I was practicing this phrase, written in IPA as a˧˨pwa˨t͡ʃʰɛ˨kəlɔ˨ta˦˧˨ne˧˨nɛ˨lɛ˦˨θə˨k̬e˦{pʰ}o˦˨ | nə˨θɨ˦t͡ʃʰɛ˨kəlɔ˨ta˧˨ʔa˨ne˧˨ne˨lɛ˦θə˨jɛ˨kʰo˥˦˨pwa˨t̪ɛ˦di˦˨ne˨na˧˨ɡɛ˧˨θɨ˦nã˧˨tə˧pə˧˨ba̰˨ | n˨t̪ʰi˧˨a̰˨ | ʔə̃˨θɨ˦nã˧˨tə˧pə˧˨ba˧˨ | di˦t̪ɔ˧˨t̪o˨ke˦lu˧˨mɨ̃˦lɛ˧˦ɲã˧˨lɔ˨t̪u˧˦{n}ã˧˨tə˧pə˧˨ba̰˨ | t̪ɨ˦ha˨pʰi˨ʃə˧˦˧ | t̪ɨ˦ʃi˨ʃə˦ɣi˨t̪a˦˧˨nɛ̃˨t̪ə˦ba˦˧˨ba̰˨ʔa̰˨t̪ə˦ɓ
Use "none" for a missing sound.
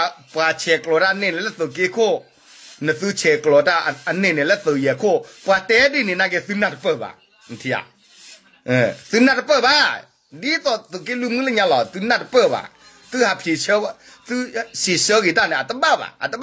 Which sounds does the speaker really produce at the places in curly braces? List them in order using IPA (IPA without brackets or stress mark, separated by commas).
kʰ, n